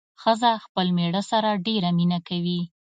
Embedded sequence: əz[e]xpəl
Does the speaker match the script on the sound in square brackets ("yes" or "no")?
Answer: no